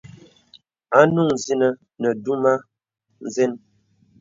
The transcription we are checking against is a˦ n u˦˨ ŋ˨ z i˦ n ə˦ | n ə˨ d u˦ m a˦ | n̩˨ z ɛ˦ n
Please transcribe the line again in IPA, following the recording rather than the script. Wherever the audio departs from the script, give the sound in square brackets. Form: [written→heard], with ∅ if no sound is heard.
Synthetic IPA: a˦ n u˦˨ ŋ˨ z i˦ n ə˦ | n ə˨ d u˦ m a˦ | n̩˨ z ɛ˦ n